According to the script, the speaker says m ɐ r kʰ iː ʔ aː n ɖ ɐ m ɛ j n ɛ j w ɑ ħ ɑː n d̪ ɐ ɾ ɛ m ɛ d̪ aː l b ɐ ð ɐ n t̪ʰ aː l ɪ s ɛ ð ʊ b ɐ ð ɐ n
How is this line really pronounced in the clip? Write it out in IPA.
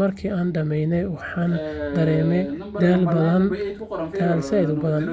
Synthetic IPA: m ɐ r kʰ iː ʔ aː n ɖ ɐ m ɛ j n ɛ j w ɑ ħ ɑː n d̪ ɐ ɾ ɛː m ɛ d̪ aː l b ɐ ð ɐ n t̪ʰ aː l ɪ s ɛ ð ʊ b ɐ ð ɐ n